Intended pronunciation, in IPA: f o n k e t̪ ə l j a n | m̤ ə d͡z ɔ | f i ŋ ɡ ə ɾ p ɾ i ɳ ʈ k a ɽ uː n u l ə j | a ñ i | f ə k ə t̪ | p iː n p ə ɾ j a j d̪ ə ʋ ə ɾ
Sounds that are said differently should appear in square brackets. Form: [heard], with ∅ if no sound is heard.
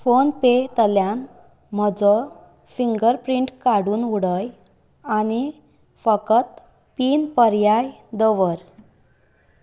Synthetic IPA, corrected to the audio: f o n [p] e t̪ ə l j a n | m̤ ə d͡z ɔ | f i ŋ ɡ ə ɾ p ɾ i ɳ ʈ k a ɽ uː n u [ɽ] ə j | a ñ i | f ə k ə t̪ | p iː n p ə ɾ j a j d̪ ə ʋ ə ɾ